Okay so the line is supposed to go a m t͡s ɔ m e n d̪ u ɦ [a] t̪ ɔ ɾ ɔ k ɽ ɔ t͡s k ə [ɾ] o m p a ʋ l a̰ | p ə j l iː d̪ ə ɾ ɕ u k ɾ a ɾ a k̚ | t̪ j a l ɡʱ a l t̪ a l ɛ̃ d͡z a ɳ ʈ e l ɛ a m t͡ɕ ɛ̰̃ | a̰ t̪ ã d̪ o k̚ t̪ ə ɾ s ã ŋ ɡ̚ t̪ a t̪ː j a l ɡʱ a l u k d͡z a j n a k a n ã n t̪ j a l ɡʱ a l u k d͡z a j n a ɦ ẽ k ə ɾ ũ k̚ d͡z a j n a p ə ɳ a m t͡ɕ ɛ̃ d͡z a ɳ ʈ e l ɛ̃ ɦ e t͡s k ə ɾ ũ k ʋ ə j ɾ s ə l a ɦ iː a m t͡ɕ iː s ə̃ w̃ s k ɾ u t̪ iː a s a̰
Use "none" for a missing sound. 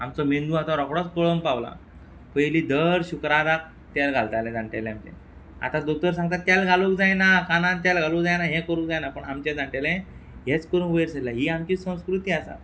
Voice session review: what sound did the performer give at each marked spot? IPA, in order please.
a, ɭ

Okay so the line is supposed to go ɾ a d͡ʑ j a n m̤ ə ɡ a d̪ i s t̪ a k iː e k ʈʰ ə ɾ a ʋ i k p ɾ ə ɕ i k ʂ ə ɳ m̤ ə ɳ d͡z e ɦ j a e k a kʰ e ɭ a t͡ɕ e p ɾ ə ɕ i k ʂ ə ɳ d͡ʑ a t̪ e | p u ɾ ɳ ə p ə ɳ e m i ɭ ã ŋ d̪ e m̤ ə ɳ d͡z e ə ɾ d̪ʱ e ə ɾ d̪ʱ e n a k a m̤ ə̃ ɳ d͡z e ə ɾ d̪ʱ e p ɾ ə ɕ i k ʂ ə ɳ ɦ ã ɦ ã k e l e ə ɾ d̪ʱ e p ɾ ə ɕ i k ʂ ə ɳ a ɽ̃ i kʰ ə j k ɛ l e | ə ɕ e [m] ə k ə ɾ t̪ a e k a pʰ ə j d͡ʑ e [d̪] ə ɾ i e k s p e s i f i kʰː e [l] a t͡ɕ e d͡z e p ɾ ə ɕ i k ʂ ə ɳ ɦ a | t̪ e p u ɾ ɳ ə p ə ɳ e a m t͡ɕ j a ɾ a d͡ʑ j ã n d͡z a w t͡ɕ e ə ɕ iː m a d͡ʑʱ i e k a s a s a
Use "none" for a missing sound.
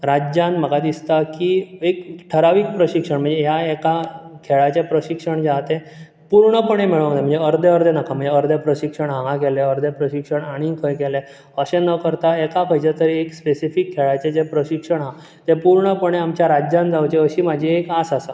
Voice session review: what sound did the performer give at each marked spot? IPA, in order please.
n, t̪, ɭ

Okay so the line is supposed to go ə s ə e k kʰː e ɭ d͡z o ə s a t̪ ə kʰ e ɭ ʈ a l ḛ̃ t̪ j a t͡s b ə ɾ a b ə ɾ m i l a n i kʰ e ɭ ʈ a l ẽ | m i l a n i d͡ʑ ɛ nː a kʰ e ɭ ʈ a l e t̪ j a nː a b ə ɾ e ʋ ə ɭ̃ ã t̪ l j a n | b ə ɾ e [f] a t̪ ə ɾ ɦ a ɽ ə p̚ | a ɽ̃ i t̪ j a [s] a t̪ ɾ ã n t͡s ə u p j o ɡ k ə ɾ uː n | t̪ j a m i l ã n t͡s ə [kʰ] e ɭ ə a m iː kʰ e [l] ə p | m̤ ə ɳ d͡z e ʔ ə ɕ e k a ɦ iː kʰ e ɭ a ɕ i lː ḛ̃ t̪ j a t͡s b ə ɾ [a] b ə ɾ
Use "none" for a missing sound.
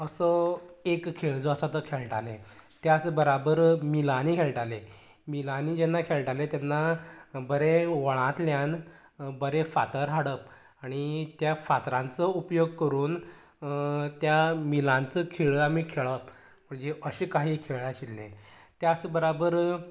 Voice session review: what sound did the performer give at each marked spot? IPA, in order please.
f, f, kʰ, ɭ, a

